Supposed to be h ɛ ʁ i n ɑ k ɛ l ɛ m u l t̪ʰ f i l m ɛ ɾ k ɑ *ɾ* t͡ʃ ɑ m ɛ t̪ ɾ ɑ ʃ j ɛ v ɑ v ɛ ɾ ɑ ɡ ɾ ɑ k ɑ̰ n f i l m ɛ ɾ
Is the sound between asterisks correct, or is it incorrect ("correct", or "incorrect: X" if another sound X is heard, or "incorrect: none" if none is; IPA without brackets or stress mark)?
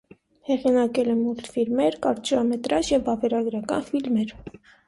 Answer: correct